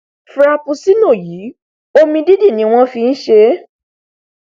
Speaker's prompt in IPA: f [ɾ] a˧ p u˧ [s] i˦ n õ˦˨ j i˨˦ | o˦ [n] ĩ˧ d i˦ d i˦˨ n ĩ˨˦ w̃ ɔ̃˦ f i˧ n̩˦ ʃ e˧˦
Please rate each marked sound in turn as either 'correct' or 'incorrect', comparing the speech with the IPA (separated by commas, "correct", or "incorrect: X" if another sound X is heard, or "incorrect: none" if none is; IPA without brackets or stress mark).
correct, correct, incorrect: m